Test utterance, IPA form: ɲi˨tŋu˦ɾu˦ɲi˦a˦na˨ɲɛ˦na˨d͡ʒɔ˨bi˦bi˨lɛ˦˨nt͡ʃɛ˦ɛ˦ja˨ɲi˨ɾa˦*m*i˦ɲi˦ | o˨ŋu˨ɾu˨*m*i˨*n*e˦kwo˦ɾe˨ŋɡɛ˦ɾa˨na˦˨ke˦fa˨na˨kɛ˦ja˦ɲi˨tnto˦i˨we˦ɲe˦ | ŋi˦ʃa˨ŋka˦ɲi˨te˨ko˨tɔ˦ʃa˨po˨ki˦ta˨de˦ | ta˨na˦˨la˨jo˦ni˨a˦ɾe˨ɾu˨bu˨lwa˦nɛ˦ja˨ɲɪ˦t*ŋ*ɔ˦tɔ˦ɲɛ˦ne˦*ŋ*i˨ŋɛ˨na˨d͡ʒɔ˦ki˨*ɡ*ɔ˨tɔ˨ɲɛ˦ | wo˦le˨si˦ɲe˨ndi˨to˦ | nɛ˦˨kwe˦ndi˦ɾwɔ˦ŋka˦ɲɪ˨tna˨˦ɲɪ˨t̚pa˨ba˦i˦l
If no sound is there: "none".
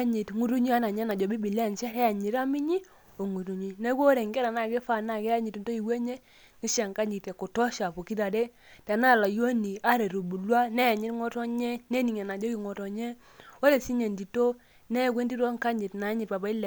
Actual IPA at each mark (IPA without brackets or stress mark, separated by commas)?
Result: m, ɲ, n, ŋ, n, ŋ